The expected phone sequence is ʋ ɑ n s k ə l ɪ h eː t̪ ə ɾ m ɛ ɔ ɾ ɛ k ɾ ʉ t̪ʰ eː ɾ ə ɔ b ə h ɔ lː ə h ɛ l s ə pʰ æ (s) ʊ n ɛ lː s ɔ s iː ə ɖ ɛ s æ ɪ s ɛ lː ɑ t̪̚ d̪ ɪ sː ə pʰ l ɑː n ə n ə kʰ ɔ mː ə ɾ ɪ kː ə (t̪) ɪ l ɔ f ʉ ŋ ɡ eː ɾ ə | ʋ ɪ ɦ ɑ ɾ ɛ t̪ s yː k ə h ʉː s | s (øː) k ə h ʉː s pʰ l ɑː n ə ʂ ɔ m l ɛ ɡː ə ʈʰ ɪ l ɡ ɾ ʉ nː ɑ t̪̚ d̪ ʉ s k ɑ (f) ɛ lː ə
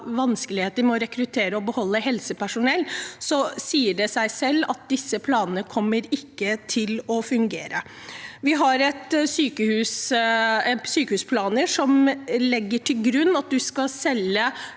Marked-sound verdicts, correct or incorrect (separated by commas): incorrect, incorrect, incorrect, incorrect